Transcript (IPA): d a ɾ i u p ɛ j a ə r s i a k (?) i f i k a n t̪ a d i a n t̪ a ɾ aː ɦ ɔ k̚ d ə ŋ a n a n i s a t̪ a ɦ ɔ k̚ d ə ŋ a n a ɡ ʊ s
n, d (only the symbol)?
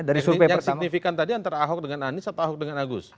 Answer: n